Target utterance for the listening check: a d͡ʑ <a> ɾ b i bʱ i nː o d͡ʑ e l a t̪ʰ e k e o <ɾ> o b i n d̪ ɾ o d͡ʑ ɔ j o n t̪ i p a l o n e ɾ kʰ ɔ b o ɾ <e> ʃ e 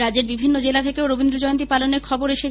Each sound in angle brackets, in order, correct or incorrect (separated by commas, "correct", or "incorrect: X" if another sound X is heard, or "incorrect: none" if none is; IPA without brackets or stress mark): incorrect: e, correct, correct